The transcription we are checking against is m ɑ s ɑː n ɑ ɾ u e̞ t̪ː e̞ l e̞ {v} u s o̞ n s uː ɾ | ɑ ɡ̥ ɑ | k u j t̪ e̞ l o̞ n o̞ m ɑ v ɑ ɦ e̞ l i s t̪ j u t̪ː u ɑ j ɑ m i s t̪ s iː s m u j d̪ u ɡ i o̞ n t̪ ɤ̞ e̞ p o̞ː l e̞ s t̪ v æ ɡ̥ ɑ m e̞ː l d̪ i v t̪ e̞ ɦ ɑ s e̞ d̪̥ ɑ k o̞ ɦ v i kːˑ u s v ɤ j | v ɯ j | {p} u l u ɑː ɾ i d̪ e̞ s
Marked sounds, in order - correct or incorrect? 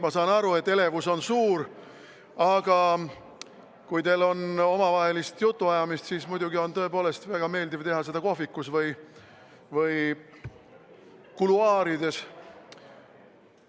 correct, incorrect: k

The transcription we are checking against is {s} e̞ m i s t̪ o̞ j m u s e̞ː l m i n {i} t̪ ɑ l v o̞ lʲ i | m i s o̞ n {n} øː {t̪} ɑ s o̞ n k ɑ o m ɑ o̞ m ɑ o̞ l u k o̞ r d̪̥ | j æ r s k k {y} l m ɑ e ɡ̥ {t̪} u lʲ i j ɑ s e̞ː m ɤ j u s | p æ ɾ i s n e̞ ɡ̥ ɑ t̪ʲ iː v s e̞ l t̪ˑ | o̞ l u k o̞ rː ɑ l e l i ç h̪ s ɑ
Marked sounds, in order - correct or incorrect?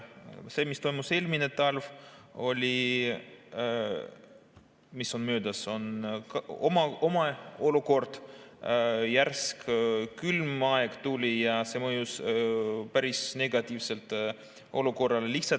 correct, incorrect: e, incorrect: m, incorrect: d̪, correct, correct

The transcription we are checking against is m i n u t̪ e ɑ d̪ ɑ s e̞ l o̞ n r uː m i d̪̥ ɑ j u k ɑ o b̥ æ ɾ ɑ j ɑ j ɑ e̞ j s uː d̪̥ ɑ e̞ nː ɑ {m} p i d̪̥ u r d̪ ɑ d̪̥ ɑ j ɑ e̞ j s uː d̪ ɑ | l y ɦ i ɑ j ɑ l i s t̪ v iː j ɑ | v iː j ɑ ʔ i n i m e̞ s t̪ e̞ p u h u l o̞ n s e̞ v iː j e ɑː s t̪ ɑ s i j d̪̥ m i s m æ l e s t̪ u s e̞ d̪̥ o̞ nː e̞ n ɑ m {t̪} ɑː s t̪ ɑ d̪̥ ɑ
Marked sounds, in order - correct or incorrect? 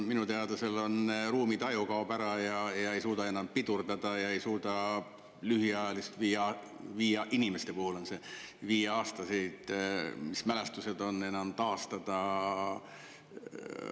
correct, correct

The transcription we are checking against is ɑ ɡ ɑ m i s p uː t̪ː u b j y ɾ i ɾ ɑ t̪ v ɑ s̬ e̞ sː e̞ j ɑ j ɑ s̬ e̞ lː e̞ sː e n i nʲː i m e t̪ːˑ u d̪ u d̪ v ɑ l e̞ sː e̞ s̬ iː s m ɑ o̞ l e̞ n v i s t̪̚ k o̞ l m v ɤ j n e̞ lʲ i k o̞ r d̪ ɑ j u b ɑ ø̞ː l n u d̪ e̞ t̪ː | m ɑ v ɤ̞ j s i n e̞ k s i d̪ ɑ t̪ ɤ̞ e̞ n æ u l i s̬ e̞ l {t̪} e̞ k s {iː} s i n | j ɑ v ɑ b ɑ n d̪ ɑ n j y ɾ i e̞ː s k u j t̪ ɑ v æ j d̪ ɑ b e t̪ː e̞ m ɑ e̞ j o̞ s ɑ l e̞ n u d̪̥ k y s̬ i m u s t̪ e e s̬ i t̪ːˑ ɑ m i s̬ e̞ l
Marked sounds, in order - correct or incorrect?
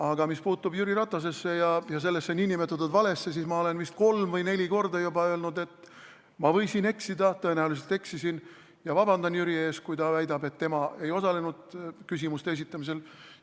correct, incorrect: i

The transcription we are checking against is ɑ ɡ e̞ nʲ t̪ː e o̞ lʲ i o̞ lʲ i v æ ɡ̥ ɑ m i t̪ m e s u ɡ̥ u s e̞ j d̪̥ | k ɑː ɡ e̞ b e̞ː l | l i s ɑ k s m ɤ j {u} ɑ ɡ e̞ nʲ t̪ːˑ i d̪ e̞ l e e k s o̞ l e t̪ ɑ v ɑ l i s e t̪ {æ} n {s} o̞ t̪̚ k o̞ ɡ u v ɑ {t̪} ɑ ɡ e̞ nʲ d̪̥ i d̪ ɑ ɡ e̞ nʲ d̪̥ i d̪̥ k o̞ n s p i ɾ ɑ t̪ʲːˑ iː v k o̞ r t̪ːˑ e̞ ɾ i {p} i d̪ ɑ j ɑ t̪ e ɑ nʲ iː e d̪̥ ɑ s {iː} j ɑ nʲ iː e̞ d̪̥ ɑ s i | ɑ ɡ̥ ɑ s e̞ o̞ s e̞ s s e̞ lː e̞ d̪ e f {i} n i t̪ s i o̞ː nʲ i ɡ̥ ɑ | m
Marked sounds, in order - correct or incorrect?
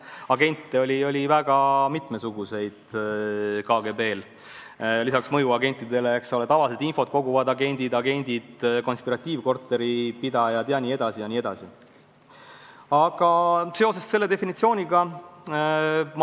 correct, incorrect: i, incorrect: f, incorrect: d̪, correct, incorrect: i, correct

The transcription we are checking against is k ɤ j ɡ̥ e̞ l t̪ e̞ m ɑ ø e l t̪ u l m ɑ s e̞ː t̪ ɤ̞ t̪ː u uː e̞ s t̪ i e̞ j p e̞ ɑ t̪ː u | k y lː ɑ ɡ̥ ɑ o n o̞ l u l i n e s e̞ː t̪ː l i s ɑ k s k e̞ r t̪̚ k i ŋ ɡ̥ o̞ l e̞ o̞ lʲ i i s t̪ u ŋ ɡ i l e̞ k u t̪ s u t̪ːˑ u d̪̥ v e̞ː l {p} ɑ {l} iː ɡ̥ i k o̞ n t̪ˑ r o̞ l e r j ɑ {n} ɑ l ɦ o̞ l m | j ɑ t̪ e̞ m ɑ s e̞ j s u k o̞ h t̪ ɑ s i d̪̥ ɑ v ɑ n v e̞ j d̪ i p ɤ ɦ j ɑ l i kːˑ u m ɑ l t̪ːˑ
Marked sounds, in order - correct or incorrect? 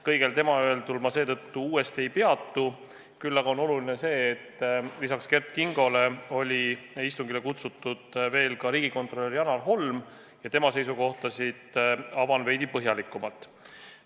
incorrect: k, incorrect: ɾ, correct

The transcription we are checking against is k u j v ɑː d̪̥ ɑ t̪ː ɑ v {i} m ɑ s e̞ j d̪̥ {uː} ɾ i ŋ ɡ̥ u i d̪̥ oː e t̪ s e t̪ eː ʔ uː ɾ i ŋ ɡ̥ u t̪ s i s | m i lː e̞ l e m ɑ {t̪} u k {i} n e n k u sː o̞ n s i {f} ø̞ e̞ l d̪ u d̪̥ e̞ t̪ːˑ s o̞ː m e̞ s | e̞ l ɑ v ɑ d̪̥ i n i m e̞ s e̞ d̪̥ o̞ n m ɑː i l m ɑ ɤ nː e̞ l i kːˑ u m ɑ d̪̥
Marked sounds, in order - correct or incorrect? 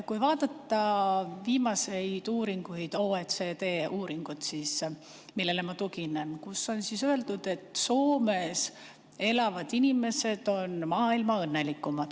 incorrect: iː, correct, correct, correct, incorrect: s

